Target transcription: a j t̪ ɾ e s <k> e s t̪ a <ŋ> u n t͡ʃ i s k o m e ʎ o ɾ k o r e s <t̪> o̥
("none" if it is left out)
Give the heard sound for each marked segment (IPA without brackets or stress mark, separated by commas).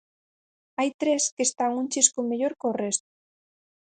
k, ŋ, t̪